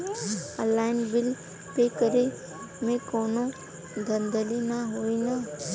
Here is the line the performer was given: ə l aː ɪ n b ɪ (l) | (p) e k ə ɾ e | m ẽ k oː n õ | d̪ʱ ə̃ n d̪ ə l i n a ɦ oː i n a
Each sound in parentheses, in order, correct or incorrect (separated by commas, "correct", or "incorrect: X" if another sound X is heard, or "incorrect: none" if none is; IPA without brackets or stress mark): correct, correct